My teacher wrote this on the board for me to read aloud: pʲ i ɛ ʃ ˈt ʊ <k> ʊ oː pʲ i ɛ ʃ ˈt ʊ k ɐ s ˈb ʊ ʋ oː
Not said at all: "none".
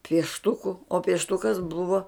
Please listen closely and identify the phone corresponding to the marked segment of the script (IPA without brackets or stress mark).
k